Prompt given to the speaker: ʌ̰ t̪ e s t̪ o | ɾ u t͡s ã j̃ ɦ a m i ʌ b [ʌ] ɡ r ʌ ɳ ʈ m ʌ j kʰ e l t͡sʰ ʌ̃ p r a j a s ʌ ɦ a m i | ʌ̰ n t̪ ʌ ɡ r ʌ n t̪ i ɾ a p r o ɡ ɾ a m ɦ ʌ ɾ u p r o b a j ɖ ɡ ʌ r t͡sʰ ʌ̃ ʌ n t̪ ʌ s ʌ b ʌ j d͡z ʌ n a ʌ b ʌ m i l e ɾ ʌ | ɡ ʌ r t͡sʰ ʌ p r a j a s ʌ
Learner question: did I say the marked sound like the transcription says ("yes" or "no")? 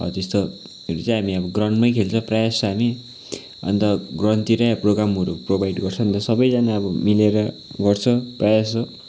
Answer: yes